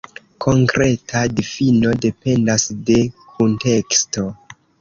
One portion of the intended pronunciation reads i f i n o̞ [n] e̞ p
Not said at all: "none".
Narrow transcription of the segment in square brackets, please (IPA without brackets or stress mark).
d